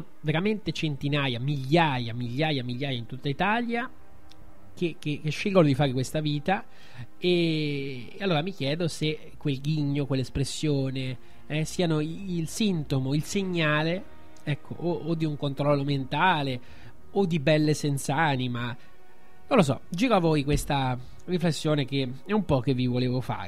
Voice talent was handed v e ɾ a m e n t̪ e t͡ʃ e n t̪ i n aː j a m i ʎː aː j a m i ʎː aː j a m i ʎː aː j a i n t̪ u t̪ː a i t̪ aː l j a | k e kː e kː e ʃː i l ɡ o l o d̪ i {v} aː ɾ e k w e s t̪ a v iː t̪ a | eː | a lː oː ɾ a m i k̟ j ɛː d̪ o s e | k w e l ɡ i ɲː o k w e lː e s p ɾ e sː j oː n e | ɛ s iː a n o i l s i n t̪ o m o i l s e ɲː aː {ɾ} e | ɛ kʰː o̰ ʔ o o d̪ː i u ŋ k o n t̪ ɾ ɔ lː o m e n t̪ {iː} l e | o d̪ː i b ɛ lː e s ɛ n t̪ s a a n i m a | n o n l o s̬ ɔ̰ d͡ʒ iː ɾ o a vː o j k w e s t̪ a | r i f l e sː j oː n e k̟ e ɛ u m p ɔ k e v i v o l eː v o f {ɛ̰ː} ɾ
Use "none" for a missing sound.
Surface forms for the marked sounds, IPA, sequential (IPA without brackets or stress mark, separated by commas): f, l, aː, a̰ː